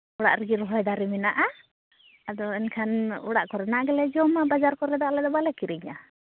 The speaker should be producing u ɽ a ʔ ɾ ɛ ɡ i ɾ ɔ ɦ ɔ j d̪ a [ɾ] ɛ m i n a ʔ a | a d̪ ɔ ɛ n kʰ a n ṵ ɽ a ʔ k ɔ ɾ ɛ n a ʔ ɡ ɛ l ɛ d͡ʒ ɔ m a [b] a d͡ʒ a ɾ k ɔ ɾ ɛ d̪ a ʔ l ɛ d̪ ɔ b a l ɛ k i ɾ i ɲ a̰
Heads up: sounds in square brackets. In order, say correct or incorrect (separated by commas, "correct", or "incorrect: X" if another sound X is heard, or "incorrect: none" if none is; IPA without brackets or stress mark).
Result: correct, correct